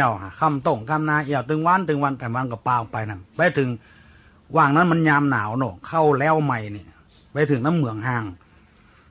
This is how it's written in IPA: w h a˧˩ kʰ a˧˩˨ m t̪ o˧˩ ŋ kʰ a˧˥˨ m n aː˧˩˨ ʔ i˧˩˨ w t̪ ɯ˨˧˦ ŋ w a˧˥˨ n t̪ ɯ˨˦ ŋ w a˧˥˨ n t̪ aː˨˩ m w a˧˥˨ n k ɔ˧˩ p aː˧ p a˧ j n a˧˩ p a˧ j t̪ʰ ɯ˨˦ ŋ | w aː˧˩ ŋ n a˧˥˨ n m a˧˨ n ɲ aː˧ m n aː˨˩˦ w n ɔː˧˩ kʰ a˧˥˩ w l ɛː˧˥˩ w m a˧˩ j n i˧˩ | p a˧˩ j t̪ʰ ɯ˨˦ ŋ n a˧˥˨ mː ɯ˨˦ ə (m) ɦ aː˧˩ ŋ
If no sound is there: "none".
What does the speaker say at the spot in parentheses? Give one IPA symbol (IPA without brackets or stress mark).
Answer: ŋ